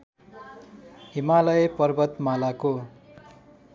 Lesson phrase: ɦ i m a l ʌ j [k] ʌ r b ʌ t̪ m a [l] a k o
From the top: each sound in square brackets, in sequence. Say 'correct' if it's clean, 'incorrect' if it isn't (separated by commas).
incorrect, correct